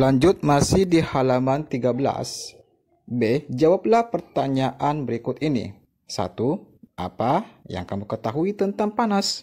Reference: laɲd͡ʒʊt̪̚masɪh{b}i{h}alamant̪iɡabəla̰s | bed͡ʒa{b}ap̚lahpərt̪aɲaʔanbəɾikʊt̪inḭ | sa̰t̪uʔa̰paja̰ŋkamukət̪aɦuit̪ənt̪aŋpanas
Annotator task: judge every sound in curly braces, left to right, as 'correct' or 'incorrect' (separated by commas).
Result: incorrect, correct, incorrect